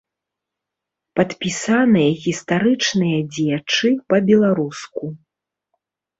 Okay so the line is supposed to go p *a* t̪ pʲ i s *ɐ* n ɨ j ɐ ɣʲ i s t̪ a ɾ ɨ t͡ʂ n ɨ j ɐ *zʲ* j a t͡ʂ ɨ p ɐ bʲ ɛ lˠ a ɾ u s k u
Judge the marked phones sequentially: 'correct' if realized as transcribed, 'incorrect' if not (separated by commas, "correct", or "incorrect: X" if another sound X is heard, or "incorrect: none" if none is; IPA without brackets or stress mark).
incorrect: ɐ, incorrect: a, incorrect: d͡zʲ